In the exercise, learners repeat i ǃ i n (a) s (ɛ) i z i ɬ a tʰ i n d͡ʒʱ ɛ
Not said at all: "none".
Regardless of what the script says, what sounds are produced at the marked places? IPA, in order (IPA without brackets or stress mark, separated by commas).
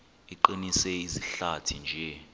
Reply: i, ɛ